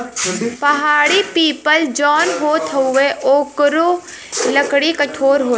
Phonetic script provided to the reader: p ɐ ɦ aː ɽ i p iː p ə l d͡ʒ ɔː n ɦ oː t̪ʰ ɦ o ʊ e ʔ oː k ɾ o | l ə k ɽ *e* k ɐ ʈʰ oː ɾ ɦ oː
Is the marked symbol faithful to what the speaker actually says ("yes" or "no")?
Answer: no